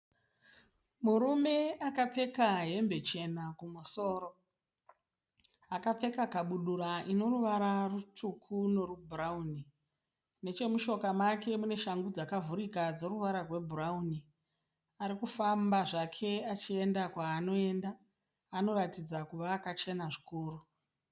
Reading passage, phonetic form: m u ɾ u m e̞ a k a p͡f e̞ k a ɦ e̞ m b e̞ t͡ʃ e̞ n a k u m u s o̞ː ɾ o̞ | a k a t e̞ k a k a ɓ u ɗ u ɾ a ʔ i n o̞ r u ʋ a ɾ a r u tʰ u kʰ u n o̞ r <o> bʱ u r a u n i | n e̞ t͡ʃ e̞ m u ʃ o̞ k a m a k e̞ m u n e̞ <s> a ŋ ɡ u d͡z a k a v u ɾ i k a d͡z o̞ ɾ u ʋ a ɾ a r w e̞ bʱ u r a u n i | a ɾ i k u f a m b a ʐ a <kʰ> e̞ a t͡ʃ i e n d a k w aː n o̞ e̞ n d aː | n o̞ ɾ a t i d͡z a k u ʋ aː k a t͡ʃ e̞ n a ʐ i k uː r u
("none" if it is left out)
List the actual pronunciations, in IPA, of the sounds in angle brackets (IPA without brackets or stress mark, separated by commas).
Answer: u, ʃ, kʰ